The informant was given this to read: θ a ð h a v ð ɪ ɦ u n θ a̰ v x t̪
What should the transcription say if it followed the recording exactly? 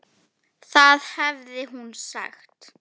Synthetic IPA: θ a ð h ɛ v ð ɪ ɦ u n s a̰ x t̪